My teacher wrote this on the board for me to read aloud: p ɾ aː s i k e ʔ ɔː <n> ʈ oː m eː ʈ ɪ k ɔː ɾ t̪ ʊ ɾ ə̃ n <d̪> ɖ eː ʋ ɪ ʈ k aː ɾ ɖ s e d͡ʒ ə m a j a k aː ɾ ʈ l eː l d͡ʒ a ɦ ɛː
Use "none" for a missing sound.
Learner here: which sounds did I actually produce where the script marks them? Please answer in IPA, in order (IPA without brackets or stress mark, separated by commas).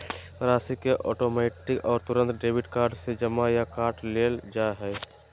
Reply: none, t̪